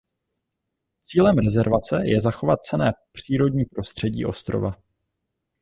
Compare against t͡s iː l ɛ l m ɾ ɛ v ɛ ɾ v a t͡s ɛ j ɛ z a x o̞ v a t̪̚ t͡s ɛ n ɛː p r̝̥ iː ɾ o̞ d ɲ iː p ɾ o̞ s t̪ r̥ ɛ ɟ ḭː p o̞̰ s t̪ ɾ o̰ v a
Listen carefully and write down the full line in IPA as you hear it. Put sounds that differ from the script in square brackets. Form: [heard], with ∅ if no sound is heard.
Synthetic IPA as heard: t͡s iː l ɛ [∅] m ɾ ɛ [z] ɛ ɾ v a t͡s ɛ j ɛ z a x o̞ v a t̪̚ t͡s ɛ n ɛː p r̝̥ iː ɾ o̞ d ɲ iː p ɾ o̞ s t̪ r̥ ɛ ɟ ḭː [ʔ] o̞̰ s t̪ ɾ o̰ v a